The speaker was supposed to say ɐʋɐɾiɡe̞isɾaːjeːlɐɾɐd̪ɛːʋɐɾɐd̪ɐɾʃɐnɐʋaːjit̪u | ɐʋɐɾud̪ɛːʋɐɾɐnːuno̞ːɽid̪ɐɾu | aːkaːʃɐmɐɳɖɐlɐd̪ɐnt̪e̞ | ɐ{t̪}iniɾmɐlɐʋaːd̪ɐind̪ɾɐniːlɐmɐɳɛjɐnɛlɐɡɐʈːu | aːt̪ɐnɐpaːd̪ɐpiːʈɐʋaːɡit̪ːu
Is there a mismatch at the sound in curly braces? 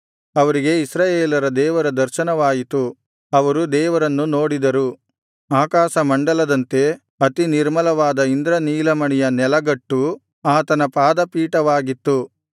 no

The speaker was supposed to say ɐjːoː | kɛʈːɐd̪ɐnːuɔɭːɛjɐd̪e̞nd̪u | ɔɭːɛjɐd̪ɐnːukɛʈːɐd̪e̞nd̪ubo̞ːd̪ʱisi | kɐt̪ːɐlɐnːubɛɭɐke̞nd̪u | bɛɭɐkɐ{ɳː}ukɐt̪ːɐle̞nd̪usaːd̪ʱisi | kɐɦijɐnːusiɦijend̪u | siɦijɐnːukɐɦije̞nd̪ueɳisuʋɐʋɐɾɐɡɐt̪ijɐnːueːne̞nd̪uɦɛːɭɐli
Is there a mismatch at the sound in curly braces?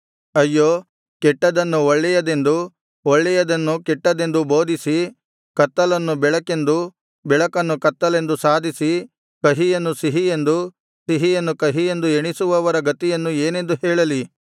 yes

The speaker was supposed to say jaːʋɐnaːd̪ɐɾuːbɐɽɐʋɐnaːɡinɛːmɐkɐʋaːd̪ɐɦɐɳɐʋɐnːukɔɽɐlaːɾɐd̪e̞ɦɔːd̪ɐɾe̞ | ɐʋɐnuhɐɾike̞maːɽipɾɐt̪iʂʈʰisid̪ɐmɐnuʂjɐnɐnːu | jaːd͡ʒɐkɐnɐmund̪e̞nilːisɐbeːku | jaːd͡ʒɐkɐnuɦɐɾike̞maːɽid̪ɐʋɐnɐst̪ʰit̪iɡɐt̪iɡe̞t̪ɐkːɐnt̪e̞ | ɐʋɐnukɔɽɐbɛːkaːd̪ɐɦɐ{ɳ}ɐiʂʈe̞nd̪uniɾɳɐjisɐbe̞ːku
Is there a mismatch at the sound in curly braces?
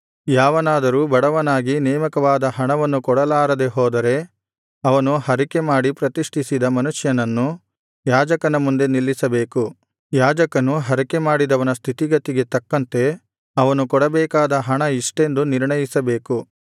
no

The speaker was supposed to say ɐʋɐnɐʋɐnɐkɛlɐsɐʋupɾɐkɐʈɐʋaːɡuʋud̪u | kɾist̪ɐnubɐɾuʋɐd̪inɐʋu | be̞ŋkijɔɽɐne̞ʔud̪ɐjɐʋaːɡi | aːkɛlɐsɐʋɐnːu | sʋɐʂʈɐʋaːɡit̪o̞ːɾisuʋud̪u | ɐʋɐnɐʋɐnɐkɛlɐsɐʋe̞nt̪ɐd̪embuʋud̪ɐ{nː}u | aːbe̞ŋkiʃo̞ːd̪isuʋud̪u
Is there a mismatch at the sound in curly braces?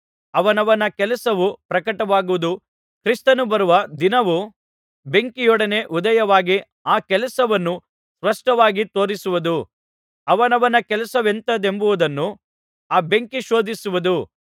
no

